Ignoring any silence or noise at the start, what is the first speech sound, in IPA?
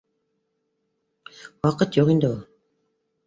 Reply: w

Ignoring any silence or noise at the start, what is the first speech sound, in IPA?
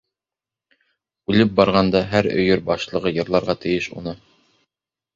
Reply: ʉ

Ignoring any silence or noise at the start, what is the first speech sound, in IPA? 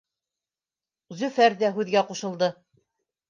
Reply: z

